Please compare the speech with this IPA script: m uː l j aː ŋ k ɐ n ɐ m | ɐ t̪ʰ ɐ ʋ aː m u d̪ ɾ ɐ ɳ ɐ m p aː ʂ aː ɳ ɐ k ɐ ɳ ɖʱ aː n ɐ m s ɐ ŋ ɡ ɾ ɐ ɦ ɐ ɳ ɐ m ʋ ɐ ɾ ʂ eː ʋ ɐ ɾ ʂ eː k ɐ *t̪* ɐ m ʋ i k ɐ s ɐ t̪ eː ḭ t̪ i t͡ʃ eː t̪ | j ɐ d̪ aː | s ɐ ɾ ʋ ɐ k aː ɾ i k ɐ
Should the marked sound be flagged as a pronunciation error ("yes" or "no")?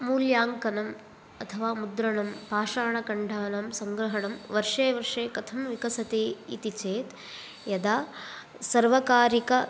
yes